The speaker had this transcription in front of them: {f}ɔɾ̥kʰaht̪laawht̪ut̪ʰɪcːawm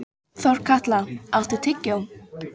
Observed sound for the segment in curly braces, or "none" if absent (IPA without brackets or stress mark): θ